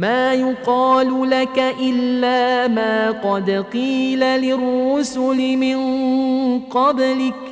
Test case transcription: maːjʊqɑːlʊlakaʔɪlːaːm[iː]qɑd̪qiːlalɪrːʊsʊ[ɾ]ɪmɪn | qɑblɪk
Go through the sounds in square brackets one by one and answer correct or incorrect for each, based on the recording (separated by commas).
incorrect, incorrect